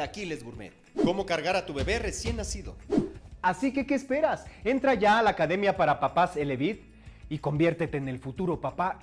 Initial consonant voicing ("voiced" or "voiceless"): voiceless